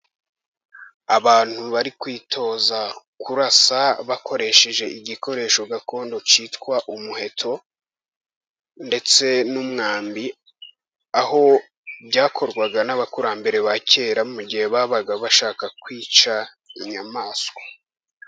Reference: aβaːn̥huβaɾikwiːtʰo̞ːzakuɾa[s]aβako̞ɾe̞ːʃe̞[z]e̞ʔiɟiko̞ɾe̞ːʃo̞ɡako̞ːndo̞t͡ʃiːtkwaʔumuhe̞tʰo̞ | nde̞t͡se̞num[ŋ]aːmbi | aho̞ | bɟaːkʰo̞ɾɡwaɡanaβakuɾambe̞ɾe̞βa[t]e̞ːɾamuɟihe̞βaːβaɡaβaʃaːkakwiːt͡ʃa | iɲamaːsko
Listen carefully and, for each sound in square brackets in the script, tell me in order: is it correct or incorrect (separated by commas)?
correct, incorrect, correct, incorrect